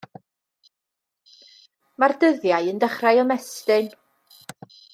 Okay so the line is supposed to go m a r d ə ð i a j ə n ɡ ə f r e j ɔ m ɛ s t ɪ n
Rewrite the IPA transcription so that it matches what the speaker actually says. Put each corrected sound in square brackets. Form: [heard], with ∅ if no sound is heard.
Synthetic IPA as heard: m a r d ə ð [j] a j ə n [d] ə [χ] r [a] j ɔ m ɛ s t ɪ n